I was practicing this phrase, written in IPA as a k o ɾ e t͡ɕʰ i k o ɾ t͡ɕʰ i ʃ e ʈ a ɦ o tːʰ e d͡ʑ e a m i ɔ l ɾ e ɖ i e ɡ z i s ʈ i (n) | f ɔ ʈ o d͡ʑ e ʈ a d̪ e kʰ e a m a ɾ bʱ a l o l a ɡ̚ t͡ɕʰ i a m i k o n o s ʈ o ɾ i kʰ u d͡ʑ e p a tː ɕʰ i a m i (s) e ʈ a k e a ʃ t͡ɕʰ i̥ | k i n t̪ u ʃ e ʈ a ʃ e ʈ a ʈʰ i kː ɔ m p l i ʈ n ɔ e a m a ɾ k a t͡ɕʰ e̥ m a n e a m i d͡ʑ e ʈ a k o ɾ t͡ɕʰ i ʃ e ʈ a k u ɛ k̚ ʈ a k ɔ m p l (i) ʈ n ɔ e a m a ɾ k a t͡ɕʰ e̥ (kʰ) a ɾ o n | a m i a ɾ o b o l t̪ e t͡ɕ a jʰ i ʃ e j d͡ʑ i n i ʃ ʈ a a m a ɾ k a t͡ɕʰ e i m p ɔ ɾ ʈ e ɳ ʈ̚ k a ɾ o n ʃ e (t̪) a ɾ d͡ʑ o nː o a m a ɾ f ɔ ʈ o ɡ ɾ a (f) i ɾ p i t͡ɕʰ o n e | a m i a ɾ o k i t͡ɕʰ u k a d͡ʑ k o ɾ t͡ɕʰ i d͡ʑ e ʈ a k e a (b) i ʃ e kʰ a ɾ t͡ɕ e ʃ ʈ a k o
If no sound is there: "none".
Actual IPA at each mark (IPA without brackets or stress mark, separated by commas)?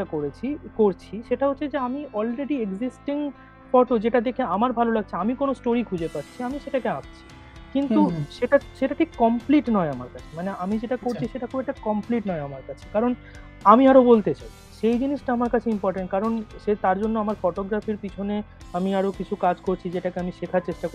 ŋ, ʃ, i, k, t̪, f, m